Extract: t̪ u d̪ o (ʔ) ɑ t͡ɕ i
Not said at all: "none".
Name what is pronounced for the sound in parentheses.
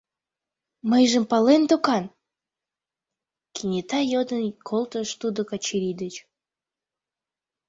k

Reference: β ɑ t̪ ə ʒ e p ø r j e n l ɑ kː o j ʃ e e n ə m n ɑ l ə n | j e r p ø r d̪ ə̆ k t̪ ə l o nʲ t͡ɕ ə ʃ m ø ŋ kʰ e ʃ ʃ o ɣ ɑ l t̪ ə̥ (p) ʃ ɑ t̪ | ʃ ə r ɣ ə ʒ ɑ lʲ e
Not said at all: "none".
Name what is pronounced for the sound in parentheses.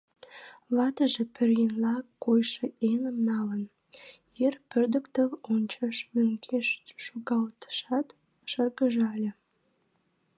none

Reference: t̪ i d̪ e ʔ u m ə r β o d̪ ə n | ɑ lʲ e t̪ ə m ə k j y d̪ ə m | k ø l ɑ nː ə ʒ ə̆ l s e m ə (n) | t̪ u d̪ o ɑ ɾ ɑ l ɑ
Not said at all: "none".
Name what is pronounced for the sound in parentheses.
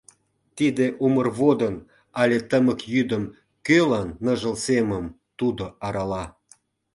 m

